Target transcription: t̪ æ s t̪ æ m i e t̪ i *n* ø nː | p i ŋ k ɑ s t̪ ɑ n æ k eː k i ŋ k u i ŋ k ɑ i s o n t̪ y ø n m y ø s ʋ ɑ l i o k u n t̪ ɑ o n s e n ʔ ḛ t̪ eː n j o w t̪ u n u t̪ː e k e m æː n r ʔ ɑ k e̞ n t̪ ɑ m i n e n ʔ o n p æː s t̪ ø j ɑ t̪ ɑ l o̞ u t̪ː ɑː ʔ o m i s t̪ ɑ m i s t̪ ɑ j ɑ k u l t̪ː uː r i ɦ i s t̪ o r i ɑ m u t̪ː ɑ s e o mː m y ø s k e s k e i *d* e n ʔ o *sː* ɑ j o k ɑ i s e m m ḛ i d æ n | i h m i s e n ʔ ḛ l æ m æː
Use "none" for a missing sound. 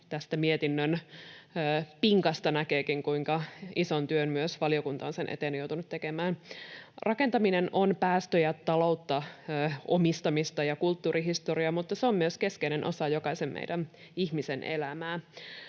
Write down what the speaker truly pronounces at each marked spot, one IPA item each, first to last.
nː, n, s

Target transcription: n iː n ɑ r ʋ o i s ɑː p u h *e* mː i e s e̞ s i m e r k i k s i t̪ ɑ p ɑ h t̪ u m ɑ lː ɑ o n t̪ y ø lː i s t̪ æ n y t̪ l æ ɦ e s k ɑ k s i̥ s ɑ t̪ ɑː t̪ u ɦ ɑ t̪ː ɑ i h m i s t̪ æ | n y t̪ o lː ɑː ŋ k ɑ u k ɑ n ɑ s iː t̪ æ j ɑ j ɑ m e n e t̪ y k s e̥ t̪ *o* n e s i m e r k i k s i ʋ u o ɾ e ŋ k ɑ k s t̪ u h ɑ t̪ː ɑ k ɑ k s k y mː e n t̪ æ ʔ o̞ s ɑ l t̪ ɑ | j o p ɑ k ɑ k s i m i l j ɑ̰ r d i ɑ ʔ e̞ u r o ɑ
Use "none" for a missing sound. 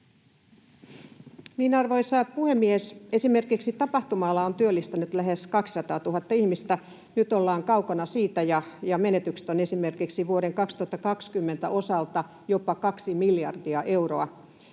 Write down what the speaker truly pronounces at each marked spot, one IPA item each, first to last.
e, o

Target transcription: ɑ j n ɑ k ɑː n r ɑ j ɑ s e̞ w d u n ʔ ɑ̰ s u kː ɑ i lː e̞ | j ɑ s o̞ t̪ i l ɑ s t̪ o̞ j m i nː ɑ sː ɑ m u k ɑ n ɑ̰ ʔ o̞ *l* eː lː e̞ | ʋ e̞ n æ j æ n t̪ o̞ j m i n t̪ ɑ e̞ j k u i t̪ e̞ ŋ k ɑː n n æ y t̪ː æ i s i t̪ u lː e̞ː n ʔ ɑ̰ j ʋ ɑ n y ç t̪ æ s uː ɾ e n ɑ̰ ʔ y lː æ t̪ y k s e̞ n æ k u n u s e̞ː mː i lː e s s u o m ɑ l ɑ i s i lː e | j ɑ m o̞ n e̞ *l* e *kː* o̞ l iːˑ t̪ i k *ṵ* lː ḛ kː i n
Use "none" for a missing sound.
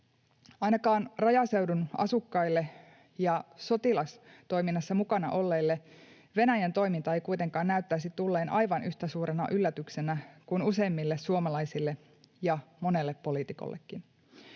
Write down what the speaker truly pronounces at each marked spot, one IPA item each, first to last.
lː, lː, pː, o̰

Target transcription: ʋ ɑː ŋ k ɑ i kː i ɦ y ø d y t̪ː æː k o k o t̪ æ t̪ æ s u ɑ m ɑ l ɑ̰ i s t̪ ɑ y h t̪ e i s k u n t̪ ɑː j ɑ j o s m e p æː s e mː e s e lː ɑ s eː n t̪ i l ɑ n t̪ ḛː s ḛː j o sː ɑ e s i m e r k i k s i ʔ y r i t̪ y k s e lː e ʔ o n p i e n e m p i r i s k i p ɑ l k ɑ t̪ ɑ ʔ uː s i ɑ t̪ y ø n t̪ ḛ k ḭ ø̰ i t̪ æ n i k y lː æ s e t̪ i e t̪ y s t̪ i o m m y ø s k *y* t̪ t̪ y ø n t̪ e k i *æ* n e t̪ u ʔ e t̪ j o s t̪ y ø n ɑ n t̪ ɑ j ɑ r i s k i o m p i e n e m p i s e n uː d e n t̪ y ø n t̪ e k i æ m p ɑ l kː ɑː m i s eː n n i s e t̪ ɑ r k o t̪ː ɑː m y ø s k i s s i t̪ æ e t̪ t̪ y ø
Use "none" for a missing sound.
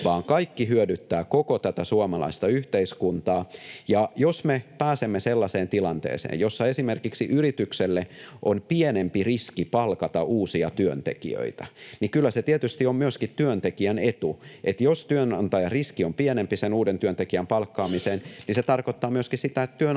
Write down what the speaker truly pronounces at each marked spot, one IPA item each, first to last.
i, æ

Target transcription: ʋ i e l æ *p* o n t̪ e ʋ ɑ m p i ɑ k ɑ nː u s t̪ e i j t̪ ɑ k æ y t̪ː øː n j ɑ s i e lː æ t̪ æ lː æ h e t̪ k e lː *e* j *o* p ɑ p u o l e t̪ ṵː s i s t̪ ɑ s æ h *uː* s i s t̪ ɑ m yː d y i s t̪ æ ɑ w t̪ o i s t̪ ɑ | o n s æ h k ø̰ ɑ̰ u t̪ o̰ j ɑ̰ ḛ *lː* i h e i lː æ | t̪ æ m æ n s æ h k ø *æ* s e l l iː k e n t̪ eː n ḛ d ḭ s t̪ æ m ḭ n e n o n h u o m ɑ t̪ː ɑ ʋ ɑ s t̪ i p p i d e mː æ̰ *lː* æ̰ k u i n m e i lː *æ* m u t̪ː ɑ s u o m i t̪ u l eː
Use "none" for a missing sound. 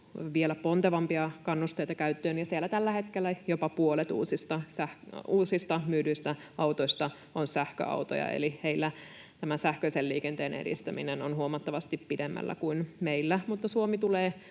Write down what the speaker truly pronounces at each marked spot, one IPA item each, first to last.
p, æ, o, uː, l, i, lː, æ

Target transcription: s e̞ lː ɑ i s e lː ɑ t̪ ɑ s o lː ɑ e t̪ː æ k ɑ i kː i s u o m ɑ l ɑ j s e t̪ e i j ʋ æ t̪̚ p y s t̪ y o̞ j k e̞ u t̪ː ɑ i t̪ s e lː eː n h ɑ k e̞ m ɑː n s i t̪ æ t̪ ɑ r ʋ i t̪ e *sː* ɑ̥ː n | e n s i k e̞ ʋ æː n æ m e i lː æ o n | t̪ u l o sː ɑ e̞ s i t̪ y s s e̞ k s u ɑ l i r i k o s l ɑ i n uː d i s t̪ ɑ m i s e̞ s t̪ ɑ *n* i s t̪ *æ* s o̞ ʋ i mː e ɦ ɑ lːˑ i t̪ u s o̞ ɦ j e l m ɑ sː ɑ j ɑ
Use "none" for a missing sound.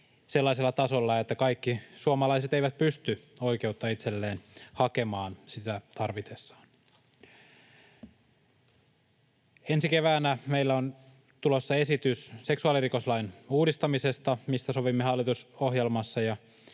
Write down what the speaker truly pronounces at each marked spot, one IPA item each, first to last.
sː, m, æ

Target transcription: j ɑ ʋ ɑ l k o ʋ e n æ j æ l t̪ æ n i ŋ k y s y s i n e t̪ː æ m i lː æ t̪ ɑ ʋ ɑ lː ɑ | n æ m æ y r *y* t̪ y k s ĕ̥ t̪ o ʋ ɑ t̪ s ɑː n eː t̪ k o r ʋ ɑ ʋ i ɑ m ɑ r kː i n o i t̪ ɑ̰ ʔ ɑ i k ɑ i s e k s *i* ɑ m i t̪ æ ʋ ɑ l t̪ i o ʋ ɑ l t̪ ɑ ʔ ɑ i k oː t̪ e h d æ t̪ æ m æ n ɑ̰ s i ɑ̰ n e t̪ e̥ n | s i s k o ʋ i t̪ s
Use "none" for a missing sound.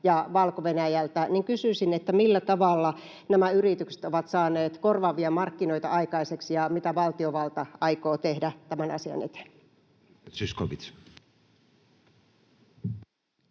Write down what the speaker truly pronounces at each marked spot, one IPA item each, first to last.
i, j

